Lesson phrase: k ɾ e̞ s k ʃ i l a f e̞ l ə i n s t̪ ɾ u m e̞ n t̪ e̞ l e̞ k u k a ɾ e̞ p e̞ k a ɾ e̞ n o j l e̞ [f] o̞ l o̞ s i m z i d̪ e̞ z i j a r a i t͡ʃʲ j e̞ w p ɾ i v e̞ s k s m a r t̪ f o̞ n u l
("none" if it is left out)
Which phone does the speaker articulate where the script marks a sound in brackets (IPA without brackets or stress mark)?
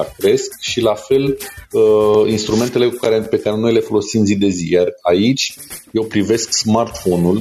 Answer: f